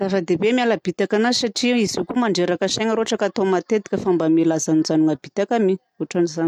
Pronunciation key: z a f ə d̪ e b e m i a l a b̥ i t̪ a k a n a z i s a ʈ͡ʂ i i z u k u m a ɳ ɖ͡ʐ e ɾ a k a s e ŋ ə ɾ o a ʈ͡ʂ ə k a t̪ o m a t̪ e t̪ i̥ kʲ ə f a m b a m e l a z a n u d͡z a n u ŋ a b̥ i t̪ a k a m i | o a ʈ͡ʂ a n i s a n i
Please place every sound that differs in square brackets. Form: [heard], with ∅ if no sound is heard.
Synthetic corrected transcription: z a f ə d̪ e b e m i a l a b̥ i t̪ a k a n a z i s a ʈ͡ʂ i i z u k u m a ɳ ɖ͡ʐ e ɾ a k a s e ŋ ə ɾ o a ʈ͡ʂ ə k a t̪ o m a t̪ e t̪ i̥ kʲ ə f a m b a m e l a z a n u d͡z a n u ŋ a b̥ i t̪ a k a m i | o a ʈ͡ʂ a n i [z] a n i